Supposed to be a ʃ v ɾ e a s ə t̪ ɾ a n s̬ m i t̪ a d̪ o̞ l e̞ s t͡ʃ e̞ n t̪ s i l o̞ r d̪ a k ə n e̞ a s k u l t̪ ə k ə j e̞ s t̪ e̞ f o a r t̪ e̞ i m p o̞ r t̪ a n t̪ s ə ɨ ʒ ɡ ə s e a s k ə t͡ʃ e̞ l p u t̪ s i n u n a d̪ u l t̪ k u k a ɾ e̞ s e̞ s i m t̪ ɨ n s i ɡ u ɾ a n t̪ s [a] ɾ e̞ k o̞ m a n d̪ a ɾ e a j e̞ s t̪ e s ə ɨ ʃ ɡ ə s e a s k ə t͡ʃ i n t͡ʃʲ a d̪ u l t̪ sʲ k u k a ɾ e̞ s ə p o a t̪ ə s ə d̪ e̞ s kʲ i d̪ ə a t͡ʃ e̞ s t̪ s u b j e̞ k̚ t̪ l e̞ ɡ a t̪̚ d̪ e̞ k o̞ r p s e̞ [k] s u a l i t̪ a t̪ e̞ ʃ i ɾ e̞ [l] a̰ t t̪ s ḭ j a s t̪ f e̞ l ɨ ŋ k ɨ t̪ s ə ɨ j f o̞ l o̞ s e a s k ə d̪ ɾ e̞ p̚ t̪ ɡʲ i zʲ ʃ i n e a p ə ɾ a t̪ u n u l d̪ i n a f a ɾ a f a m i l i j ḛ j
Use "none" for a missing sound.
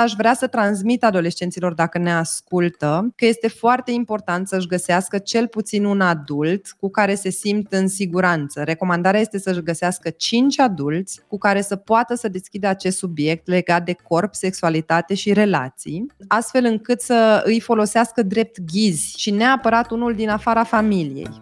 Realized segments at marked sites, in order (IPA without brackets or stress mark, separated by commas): ə, k, l